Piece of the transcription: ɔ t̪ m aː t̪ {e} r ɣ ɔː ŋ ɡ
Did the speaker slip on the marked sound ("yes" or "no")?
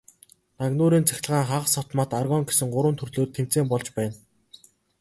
yes